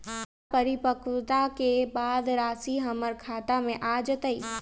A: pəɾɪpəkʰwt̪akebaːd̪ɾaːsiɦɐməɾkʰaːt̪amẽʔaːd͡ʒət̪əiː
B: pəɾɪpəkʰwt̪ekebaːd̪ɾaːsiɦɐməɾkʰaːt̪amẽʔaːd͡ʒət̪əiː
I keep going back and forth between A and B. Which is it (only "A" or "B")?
A